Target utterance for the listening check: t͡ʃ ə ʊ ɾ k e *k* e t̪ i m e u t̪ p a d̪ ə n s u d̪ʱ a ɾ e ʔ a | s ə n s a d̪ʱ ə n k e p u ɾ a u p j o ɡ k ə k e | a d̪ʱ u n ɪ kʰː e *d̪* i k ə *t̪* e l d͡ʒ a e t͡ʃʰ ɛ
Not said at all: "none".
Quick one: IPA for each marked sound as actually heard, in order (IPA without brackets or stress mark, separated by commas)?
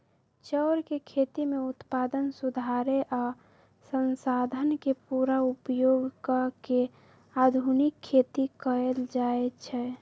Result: kʰ, t̪, none